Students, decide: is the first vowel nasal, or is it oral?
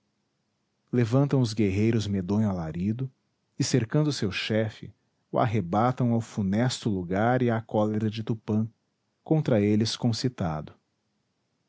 oral